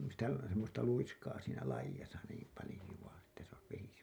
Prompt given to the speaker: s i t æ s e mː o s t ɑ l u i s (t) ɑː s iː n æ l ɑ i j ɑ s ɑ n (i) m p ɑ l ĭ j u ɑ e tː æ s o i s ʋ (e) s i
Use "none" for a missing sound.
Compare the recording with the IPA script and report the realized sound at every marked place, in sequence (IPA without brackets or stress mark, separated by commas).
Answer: k, iː, e